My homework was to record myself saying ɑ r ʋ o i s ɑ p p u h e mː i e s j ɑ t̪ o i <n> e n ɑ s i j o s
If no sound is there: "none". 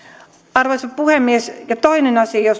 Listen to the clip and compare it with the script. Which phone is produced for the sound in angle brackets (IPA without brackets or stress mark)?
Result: n